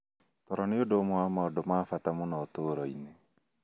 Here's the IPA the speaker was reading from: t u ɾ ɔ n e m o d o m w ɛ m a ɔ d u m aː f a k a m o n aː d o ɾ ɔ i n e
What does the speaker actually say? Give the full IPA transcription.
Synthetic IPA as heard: t ɔ ɾ ɔ n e o d o m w a m a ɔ d o m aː f a t a m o n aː t o ɾ ɔ i n e